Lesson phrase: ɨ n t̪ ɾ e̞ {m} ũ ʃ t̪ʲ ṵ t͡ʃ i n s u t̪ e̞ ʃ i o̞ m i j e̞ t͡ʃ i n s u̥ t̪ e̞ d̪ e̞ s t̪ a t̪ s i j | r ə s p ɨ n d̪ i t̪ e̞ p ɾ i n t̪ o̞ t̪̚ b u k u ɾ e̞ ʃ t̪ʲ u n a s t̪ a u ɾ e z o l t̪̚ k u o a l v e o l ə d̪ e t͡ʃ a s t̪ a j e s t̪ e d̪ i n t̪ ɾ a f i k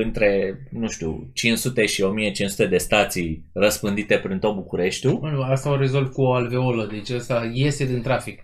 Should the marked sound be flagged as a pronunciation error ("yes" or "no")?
yes